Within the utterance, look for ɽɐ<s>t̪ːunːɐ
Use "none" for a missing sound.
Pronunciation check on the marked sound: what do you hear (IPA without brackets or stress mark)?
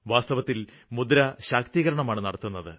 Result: none